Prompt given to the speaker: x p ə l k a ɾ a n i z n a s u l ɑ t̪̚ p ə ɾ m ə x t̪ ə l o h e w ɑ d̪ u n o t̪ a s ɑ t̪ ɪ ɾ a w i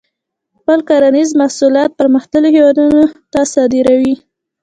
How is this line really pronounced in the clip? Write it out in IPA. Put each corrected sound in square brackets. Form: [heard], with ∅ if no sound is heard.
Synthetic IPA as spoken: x p ə l k a ɾ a n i z [m] a s u l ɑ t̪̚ p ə ɾ m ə x t̪ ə l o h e w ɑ d̪ u n o t̪ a s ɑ [d̪] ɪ ɾ a w i